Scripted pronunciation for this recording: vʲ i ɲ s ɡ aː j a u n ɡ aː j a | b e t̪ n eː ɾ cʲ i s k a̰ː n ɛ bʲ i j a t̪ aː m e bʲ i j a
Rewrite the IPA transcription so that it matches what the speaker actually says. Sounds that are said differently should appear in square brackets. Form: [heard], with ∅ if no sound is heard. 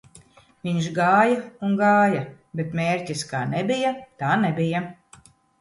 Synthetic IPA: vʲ i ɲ [ʃ] ɡ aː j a u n ɡ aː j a | b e t̪ [m] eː ɾ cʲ i s k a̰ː n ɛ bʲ i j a t̪ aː [n] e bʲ i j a